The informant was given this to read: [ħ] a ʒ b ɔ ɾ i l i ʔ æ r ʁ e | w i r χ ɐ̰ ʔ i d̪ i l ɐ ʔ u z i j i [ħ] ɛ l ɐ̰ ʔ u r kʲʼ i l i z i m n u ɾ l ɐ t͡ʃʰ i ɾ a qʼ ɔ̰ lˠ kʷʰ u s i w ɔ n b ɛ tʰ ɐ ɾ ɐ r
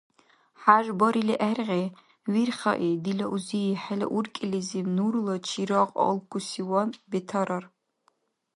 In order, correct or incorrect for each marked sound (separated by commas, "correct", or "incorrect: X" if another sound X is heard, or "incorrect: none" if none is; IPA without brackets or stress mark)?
correct, correct